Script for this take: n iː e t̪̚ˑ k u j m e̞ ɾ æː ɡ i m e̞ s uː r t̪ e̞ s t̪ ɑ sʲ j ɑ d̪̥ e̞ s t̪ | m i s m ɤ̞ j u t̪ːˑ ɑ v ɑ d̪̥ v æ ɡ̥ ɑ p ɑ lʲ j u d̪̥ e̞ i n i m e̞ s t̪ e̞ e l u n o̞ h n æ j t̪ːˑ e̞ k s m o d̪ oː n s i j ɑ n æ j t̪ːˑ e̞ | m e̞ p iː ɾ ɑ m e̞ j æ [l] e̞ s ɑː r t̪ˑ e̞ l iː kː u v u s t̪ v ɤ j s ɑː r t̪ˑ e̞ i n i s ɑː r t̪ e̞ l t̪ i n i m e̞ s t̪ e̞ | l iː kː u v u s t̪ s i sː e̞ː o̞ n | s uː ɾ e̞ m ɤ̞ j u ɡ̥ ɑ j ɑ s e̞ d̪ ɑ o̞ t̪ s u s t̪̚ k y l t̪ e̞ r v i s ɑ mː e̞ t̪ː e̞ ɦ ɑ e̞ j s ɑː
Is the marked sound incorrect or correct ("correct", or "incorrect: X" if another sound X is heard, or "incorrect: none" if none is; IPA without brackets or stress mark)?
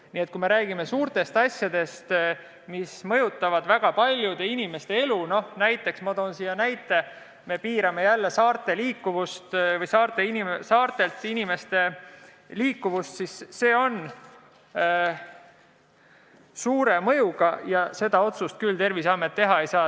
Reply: incorrect: lː